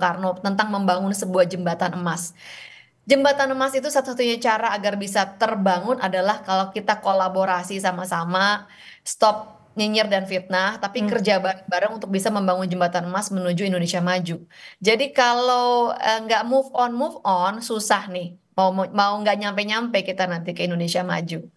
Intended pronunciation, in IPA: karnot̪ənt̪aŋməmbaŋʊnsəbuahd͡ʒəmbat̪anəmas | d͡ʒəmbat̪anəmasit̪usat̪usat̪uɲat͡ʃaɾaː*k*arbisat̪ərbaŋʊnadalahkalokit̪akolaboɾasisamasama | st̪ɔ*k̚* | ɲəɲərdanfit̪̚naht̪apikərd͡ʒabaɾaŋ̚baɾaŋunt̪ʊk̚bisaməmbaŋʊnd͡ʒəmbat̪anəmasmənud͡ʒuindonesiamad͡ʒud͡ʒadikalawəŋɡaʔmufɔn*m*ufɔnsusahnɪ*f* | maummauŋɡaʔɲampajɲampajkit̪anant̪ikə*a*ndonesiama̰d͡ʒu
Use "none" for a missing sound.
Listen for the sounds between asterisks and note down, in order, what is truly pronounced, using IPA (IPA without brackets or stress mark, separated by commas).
ɡ, p̚, m, h, i